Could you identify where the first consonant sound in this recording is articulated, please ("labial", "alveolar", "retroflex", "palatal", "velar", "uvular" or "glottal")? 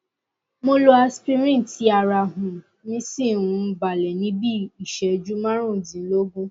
labial